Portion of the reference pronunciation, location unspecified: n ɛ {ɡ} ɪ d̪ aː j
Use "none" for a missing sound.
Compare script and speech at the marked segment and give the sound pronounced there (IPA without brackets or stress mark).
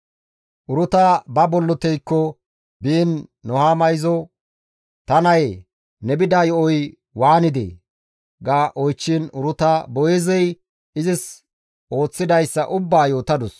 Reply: b